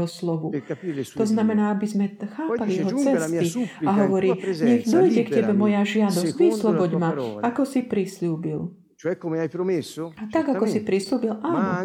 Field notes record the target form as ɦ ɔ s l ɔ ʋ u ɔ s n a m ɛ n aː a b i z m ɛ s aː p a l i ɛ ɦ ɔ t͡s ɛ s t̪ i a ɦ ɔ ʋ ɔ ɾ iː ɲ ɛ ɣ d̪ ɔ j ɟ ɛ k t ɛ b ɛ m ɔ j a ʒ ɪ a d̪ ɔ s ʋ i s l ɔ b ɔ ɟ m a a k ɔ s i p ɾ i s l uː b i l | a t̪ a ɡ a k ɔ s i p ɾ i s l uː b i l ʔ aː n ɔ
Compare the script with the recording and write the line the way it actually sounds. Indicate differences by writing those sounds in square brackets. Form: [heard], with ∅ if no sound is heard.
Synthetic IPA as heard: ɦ ɔ s l ɔ ʋ u ɔ [z] n a m ɛ n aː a b i z m ɛ [x] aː p a l i ɛ ɦ ɔ t͡s ɛ s t̪ i a ɦ ɔ ʋ ɔ ɾ iː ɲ ɛ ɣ d̪ ɔ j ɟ ɛ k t ɛ b ɛ m ɔ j a ʒ ɪ a d̪ ɔ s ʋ i s l ɔ b ɔ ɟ m a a k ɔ s i p ɾ i s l uː b i l | a t̪ a ɡ a k ɔ s i p ɾ i s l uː b i l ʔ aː n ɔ